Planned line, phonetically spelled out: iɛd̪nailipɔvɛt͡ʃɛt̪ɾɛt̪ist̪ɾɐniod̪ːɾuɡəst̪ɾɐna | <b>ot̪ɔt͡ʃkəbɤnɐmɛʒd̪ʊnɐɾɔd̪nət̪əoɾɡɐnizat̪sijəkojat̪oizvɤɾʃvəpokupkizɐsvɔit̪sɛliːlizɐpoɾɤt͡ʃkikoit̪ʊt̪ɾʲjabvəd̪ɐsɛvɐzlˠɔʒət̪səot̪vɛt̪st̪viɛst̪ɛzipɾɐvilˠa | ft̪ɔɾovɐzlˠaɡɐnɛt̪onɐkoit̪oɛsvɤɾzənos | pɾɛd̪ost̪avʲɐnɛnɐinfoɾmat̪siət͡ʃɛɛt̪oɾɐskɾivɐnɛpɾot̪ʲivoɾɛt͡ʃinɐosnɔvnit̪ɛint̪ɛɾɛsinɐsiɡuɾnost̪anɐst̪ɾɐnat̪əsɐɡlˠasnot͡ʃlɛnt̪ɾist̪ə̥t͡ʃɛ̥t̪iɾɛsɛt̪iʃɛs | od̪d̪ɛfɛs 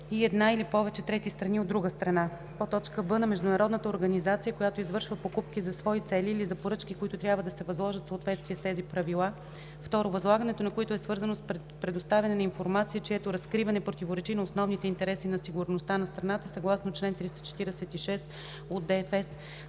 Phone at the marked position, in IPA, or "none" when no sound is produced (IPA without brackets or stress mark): p